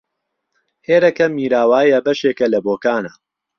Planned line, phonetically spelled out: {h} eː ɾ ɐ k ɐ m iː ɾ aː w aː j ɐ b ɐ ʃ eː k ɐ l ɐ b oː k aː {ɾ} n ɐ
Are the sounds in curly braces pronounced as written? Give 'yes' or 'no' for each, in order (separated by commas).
yes, no